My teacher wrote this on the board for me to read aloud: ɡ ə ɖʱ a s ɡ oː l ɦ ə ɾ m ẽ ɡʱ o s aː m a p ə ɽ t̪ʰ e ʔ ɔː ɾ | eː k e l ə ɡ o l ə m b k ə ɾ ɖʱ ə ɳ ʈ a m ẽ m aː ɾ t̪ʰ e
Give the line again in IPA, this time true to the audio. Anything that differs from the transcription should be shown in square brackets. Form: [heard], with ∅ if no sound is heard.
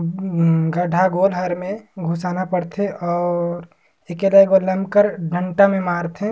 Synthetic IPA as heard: ɡ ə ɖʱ a [∅] ɡ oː l ɦ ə ɾ m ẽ ɡʱ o s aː [n] a p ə ɽ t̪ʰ e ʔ ɔː ɾ | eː k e l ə ɡ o l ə m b k ə ɾ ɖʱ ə ɳ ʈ a m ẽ m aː ɾ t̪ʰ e